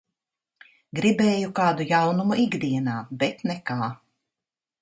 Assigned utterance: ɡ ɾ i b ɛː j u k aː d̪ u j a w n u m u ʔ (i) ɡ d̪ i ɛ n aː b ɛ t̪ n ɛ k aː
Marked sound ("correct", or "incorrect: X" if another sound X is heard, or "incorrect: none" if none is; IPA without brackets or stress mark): correct